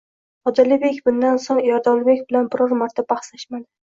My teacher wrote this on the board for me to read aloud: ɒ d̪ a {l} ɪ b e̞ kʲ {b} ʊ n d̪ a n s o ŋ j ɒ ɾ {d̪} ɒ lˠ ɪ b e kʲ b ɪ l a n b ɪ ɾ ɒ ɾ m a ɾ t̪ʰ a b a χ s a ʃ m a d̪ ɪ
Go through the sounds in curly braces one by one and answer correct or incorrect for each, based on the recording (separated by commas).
correct, correct, correct